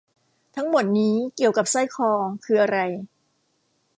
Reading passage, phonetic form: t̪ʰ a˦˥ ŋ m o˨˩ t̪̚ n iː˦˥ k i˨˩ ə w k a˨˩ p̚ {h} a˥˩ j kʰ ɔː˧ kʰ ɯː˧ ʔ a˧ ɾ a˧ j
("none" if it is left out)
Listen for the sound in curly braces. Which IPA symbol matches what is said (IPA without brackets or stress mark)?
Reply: s